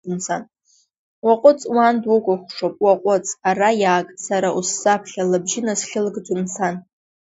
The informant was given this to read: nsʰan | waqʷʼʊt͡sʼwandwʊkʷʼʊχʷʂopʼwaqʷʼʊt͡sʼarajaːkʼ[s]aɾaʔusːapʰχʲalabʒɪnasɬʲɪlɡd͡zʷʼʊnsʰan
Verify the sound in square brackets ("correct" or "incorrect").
correct